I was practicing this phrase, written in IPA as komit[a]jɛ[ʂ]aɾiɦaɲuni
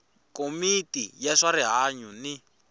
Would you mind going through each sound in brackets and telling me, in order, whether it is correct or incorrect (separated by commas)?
incorrect, correct